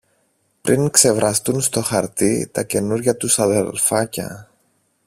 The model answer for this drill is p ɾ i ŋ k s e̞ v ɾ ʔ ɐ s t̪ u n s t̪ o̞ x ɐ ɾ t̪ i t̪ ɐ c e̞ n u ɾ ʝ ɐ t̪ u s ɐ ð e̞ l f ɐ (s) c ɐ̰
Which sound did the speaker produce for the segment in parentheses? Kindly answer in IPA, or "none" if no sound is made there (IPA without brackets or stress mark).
none